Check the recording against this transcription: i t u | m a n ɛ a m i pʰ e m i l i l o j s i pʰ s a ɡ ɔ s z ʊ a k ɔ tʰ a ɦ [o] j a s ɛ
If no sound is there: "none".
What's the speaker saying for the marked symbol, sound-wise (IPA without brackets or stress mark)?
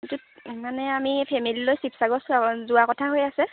o